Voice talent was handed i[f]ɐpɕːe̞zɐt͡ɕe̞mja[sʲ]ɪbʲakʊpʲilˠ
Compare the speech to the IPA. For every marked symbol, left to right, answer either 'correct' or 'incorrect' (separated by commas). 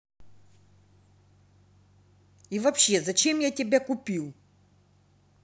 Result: incorrect, incorrect